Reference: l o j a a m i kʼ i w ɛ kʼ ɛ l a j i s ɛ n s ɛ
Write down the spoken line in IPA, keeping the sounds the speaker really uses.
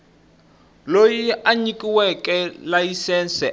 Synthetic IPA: l o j i a ɲ i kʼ i w ɛ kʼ ɛ l a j i s ɛ n s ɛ